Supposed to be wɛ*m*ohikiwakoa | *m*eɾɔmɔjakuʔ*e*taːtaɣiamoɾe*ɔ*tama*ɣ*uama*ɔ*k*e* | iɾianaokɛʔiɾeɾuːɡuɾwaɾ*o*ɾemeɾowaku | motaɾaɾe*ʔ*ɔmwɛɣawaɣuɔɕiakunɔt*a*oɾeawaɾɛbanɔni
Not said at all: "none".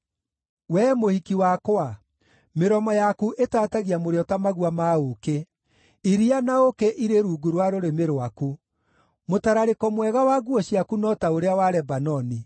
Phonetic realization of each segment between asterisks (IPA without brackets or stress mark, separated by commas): m, m, e, ɔ, ɣ, o, e, o, k, a